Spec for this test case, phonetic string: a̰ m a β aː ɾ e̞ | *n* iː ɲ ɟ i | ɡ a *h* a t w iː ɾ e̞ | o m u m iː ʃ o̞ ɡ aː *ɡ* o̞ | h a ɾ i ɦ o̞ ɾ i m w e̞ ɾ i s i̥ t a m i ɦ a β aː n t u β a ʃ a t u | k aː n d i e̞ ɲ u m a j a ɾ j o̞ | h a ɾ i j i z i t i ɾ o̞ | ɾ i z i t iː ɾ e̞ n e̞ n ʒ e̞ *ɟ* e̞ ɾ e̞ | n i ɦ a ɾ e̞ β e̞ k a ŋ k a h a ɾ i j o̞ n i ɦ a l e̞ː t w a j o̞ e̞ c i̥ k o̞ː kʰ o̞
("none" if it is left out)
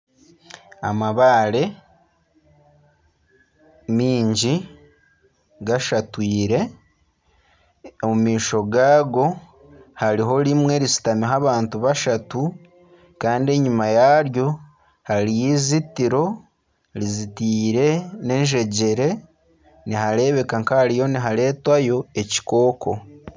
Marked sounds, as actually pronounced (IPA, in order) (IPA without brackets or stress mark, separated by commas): m, ʃ, ɡ, ɟ